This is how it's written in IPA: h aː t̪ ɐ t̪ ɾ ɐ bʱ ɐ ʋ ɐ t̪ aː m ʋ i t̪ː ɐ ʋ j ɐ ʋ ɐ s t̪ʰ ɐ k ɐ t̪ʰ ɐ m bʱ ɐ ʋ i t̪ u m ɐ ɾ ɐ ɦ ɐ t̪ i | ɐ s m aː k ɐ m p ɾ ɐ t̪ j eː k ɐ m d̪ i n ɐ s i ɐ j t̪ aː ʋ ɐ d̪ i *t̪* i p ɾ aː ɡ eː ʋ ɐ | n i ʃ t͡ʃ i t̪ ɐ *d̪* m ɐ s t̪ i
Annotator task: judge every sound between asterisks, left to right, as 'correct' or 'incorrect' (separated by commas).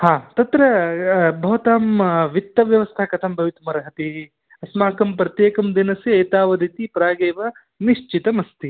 correct, incorrect